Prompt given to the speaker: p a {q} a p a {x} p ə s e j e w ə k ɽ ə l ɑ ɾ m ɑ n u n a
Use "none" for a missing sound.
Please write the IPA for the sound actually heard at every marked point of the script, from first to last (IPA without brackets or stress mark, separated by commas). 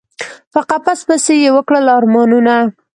q, s